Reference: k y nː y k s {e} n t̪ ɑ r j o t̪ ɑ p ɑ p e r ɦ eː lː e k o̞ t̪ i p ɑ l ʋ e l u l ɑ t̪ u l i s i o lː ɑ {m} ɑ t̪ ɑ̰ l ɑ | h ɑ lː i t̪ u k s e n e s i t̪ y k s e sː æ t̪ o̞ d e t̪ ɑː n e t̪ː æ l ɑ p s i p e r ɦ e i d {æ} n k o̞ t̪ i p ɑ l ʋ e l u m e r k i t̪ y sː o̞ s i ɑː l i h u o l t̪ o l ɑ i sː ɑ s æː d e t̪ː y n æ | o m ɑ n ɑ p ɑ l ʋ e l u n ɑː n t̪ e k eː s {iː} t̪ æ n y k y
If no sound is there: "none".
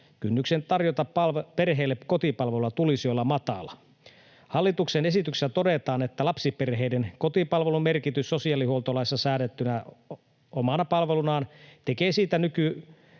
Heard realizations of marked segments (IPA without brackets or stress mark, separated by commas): e, m, e, iː